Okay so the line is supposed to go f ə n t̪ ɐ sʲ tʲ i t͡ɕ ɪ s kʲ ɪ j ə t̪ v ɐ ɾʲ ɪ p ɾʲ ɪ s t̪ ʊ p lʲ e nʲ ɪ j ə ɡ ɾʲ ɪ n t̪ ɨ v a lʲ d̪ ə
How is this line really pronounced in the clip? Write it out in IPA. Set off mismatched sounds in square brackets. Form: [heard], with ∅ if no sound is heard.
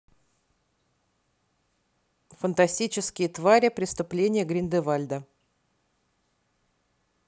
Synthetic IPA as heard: f ə n t̪ ɐ sʲ tʲ i t͡ɕ ɪ s kʲ ɪ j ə t̪ v [a] ɾʲ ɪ p ɾʲ ɪ s t̪ ʊ p lʲ e nʲ ɪ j ə ɡ ɾʲ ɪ n [d̪] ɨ v a lʲ d̪ ə